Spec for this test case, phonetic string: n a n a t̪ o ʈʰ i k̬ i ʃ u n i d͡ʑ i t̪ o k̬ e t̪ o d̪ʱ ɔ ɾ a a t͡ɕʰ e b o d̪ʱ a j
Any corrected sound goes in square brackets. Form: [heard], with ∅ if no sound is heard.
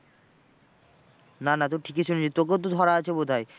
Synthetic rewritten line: n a n a t̪ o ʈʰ i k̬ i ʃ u n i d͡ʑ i t̪ o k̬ e t̪ o d̪ʱ ɔ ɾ a a t͡ɕʰ e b o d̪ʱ a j